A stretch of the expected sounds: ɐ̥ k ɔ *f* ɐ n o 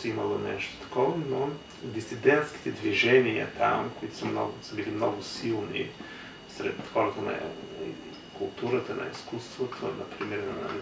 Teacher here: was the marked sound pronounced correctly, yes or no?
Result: no